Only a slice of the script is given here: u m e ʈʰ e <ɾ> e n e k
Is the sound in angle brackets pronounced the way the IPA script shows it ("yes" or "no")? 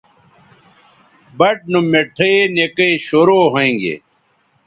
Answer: no